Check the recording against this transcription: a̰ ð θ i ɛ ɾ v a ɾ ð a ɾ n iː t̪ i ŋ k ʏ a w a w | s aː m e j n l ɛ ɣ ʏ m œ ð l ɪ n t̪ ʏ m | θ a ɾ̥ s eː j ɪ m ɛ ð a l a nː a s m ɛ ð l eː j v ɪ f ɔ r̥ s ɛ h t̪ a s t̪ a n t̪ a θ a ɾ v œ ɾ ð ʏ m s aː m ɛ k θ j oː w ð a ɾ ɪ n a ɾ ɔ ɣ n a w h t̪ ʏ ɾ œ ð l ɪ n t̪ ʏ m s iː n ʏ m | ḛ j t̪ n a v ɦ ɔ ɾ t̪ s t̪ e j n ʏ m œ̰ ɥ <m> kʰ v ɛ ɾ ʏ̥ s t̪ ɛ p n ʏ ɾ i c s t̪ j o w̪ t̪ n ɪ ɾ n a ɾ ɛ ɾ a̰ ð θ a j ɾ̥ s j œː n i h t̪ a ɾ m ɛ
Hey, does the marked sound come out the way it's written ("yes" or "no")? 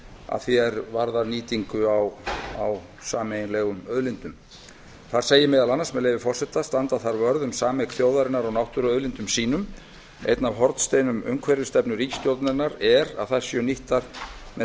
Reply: no